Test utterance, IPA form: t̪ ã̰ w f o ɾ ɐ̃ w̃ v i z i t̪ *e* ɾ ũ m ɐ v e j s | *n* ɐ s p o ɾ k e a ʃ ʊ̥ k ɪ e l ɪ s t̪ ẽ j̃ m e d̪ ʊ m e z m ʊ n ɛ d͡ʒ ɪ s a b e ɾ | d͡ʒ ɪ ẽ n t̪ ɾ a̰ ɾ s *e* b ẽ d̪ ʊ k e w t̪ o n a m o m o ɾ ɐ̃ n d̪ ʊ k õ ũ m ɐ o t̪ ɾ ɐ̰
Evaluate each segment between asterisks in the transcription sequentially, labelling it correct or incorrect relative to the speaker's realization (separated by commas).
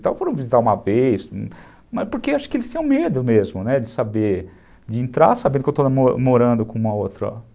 incorrect, incorrect, incorrect